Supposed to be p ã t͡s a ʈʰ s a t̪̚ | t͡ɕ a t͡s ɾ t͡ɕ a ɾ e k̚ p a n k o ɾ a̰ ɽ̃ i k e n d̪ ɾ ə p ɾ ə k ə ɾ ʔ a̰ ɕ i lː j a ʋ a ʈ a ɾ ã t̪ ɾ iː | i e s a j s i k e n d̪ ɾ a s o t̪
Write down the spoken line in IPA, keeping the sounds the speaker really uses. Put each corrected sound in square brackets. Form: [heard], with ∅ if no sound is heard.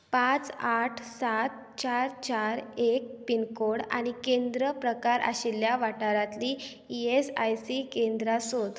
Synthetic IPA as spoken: p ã t͡s a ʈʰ s a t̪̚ | t͡ɕ a [∅] ɾ t͡ɕ a ɾ e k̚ p [i] n k o [ɽ] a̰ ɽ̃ i k e n d̪ ɾ ə p ɾ ə k [a] ɾ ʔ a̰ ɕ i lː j a ʋ a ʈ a ɾ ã t̪ [l] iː | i e s a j s i k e n d̪ ɾ a s o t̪

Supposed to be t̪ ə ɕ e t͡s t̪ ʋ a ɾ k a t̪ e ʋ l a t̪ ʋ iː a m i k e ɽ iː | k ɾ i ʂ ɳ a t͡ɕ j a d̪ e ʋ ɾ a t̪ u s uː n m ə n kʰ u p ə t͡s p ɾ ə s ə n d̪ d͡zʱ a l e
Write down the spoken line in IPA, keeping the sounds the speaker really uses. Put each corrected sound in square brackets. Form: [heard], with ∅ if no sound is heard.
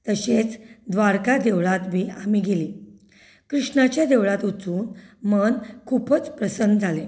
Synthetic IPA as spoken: t̪ ə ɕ e t͡s [d̪] ʋ a ɾ k a [d̪] e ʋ [ɭ] a t̪ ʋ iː a m i [ɡ] e [l] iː | k ɾ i ʂ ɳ a t͡ɕ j a d̪ e ʋ [ɭ] a t̪ u [t͡s] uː n m ə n kʰ u p ə t͡s p ɾ ə s ə n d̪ d͡zʱ a l e

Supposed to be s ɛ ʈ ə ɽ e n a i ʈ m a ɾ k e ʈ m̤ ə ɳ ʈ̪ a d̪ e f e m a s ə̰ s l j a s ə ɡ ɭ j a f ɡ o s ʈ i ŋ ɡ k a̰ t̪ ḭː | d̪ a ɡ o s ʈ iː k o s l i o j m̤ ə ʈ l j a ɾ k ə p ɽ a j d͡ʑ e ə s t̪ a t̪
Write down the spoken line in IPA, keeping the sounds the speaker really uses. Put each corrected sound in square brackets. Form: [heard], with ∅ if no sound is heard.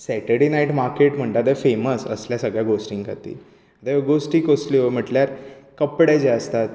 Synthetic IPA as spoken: s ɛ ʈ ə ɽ e n a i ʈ m a ɾ k e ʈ m̤ ə ɳ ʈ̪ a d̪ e f e m [ə] s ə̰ s l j a s ə ɡ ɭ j a [∅] ɡ o s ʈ i ŋ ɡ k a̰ t̪ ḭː | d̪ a ɡ o s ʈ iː k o s l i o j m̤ ə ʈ l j a ɾ k ə p ɽ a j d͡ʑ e ə s t̪ a t̪

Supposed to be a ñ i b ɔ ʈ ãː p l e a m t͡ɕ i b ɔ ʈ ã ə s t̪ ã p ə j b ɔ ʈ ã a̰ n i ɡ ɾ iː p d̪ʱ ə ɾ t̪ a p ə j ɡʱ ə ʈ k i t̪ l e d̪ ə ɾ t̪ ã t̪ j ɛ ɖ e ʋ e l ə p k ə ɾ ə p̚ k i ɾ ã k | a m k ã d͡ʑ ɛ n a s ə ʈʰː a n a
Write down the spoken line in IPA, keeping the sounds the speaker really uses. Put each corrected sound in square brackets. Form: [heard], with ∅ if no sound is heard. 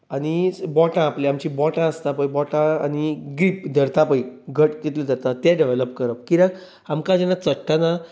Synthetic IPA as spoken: a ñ i b ɔ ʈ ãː p l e a m t͡ɕ i b ɔ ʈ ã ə s t̪ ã p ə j b ɔ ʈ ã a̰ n i ɡ ɾ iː p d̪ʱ ə ɾ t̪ a p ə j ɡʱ ə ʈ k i t̪ l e d̪ ə ɾ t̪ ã t̪ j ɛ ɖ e ʋ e l ə p k ə ɾ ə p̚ k i ɾ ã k | a m k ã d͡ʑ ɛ n a [t͡s] ə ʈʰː a n a

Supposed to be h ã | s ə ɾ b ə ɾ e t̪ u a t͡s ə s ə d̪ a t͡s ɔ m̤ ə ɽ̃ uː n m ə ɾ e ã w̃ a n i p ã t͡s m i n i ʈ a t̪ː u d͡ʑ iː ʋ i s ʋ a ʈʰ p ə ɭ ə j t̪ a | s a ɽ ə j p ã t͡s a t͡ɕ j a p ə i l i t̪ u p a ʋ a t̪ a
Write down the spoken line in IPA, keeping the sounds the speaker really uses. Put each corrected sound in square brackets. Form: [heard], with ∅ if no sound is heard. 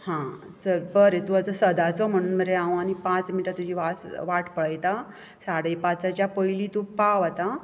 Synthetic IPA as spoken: h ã | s ə ɾ b ə ɾ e t̪ u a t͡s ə s ə d̪ a t͡s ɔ m̤ ə ɽ̃ uː n m ə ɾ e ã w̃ a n i p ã t͡s m i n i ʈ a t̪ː u d͡ʑ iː ʋ [a] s ʋ a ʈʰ p ə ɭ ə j t̪ a | s a ɽ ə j p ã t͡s a t͡ɕ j a p ə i l i t̪ u p a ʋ a t̪ a

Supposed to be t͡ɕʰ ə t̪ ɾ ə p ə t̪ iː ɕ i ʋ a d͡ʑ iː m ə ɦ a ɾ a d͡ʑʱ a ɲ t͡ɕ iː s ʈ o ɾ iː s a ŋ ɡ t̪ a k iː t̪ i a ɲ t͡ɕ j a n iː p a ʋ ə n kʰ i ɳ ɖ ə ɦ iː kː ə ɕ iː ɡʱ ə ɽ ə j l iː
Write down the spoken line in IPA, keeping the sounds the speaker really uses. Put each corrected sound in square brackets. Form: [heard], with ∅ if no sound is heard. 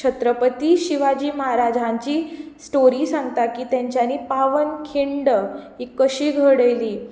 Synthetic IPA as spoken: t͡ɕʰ ə t̪ ɾ ə p ə t̪ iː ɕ i ʋ a d͡ʑ iː m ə ɦ a ɾ a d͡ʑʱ a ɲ t͡ɕ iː s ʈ o ɾ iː s a ŋ ɡ t̪ a k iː t̪ [j] a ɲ t͡ɕ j a n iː p a ʋ ə n kʰ i ɳ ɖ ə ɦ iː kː ə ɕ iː ɡʱ ə ɽ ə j l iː

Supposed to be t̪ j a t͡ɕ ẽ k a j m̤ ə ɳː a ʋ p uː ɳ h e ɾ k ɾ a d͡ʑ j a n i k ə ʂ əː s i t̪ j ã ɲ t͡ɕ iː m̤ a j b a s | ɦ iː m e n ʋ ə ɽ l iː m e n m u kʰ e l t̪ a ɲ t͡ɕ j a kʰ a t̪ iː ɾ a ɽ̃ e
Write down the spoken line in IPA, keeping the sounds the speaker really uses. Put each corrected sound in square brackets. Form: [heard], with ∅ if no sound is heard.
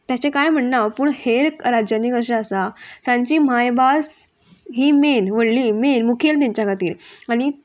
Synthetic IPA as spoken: t̪ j a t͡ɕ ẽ k a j m̤ ə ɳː a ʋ p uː ɳ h e ɾ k ɾ a d͡ʑ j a n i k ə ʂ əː s [a] t̪ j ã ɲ t͡ɕ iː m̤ a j b a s | ɦ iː m e n ʋ ə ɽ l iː m e n m u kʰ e l t̪ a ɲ t͡ɕ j a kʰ a t̪ iː ɾ a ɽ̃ [i]

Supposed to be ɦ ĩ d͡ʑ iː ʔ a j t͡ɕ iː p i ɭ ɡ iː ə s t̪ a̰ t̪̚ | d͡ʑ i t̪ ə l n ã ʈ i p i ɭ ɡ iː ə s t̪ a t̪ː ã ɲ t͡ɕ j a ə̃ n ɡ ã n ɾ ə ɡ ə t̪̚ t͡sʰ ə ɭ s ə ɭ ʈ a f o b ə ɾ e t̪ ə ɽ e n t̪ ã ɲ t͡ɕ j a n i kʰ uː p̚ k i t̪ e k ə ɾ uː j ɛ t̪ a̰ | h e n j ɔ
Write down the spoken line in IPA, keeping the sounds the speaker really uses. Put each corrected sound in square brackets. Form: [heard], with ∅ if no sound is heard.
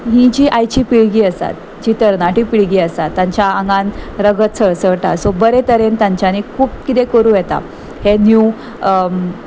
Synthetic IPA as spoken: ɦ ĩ d͡ʑ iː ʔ a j t͡ɕ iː p i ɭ ɡ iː ə s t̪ a̰ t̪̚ | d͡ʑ i t̪ ə [ɾ] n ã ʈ i p i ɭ ɡ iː ə s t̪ a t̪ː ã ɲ t͡ɕ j a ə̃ [ŋ] ɡ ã n ɾ ə ɡ ə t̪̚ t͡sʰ ə ɭ s ə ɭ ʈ a [s] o b ə ɾ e t̪ ə [ɾ] e n t̪ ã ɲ t͡ɕ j a n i kʰ uː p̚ k i t̪ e k ə ɾ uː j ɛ t̪ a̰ | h e n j [u]

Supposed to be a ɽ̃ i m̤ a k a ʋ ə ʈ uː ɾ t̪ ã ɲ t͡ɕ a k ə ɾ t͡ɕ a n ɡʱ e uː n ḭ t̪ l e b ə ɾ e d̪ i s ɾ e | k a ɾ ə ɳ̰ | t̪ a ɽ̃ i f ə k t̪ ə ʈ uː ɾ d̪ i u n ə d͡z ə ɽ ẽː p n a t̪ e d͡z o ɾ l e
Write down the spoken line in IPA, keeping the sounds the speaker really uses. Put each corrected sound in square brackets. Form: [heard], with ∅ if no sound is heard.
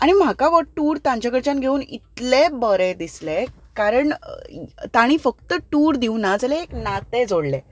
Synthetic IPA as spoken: a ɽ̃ i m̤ a k a ʋ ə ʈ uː ɾ t̪ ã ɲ t͡ɕ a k ə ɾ t͡ɕ a n ɡʱ e uː n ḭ t̪ l e b ə ɾ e d̪ i s [l] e | k a ɾ ə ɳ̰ | t̪ a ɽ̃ i f ə k t̪ ə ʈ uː ɾ d̪ i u n [a] d͡z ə [l] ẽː [k] n a t̪ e d͡z o [ɽ] l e

